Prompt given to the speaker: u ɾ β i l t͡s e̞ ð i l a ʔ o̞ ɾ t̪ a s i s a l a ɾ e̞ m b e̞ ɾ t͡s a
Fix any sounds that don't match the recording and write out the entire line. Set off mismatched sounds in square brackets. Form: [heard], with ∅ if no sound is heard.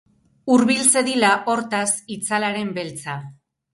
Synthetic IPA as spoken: u ɾ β i l t͡s e̞ ð i l a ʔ o̞ ɾ t̪ a s i [t͡s] a l a ɾ e̞ m b e̞ [l] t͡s a

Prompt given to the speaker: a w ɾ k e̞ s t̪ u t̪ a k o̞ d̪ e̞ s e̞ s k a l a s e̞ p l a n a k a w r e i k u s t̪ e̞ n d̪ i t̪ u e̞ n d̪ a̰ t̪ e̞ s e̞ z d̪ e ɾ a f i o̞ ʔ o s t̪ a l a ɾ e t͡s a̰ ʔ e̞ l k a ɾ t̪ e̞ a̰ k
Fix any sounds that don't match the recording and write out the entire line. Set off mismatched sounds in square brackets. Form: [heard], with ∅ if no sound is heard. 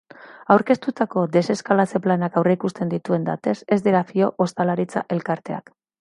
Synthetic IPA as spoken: a w ɾ k e̞ s t̪ u t̪ a k o̞ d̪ e̞ s e̞ s k a l a [t͡s] e̞ p l a n a k a w r e i k u s t̪ e̞ n d̪ i t̪ u e̞ n d̪ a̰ t̪ e̞ s e̞ z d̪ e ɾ a f i o̞ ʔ o s t̪ a l a ɾ [i] t͡s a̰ ʔ e̞ l k a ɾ t̪ e̞ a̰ k

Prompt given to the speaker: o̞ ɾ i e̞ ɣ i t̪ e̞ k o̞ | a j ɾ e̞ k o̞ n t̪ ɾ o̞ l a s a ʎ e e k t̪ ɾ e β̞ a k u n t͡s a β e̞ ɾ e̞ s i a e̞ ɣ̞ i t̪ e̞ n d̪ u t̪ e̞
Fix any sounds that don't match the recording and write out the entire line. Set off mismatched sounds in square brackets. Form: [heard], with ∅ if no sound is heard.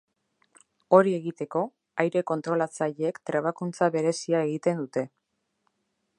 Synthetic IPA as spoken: o̞ ɾ i e̞ ɣ i t̪ e̞ k o̞ | a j ɾ e̞ k o̞ n t̪ ɾ o̞ l a [t͡s] a ʎ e e k t̪ ɾ e β̞ a k u n t͡s a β e̞ ɾ e̞ s i a e̞ ɣ̞ i t̪ e̞ n d̪ u t̪ e̞

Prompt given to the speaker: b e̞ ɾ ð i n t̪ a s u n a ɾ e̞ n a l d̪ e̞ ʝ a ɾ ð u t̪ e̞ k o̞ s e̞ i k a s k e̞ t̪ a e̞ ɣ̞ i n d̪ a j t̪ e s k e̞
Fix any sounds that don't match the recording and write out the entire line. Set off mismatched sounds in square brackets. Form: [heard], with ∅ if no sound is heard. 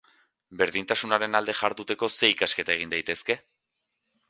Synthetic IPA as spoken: b e̞ ɾ ð i n t̪ a s u n a ɾ e̞ n a l d̪ e̞ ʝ a ɾ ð u t̪ e̞ k o̞ s e̞ i k a s k e̞ t̪ a e̞ ɣ̞ i n d̪ a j t̪ e s k e̞

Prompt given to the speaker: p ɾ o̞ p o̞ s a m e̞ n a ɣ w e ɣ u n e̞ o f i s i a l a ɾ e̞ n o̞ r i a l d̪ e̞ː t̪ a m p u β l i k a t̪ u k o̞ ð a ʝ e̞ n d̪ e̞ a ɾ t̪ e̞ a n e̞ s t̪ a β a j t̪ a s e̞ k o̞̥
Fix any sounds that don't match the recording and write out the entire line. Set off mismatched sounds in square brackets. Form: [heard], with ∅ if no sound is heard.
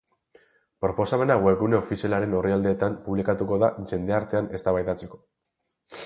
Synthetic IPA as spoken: p ɾ o̞ p o̞ s a m e̞ n a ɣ w e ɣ u n e̞ o f i s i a l a ɾ e̞ n o̞ r i a l d̪ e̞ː t̪ a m p u β l i k a t̪ u k o̞ ð a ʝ e̞ n d̪ e̞ a ɾ t̪ e̞ a n e̞ s t̪ a β a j t̪ a [t͡s] e̞ k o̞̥

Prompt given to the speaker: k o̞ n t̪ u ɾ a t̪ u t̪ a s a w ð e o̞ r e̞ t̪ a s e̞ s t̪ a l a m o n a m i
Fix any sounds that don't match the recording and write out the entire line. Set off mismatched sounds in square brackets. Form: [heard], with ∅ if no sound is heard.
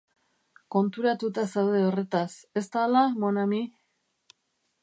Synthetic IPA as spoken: k o̞ n t̪ u ɾ a t̪ u t̪ a s a w ð e o̞ r e̞ t̪ a s e̞ s t̪ a l a m o n a m i

